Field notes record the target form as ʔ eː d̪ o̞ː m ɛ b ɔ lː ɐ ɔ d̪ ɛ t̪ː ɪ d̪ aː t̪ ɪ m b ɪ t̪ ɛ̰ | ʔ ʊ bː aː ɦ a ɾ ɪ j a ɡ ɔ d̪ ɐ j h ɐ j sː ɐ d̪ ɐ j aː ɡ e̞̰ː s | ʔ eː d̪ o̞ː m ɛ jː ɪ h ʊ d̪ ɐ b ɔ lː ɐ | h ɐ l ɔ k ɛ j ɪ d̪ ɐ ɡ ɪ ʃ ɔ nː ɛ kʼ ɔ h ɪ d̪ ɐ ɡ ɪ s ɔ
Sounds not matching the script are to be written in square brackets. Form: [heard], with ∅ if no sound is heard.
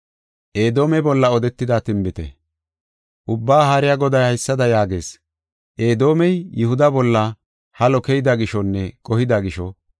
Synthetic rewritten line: ʔ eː d̪ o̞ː m ɛ b ɔ lː ɐ ɔ d̪ ɛ t̪ː ɪ d̪ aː t̪ ɪ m b ɪ t̪ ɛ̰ | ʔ ʊ bː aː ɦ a ɾ ɪ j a ɡ ɔ d̪ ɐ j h ɐ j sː ɐ d̪ ɐ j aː ɡ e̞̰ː s | ʔ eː d̪ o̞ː m ɛ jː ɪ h ʊ d̪ ɐ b ɔ lː ɐ | h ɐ l ɔ k ɛ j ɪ d̪ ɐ ɡ ɪ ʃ ɔ nː ɛ kʼ ɔ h ɪ d̪ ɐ ɡ ɪ [ʃ] ɔ